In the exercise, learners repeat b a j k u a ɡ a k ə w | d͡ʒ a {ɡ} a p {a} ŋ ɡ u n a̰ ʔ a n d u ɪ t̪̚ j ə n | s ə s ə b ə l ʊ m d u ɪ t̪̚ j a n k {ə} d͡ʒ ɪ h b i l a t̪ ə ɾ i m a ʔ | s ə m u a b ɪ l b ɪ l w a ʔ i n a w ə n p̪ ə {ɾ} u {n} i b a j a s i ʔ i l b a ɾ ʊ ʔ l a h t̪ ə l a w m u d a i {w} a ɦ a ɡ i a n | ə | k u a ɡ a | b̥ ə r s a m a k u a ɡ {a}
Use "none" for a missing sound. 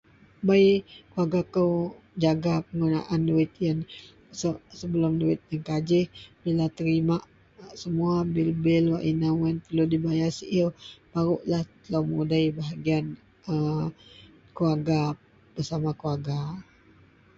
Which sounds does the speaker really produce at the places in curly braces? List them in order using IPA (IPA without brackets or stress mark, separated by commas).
ɡ, ə, a, l, d, b, a